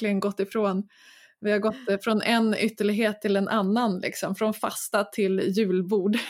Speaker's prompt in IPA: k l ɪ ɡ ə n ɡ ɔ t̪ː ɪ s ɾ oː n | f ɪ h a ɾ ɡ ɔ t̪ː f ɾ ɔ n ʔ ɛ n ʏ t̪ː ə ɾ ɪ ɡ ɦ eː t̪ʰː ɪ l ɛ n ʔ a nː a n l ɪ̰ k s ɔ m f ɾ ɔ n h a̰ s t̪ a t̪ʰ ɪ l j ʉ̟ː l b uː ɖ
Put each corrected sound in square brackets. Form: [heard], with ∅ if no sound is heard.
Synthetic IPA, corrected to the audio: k l ɪ ɡ ə n ɡ ɔ t̪ː ɪ [f] ɾ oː n | [v] ɪ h a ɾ ɡ ɔ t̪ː f ɾ ɔ n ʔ ɛ n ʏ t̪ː ə [ɭ] ɪ ɡ ɦ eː t̪ʰː ɪ l ɛ n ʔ a nː a n l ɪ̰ k s ɔ m f ɾ ɔ n [f] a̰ s t̪ a t̪ʰ ɪ l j ʉ̟ː l b uː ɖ